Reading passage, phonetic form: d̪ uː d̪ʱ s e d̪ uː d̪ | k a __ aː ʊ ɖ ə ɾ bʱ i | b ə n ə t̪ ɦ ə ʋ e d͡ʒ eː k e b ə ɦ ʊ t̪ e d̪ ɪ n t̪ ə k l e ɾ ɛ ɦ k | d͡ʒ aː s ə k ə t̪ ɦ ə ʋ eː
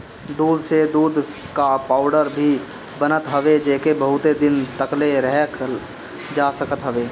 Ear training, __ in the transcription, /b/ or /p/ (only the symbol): p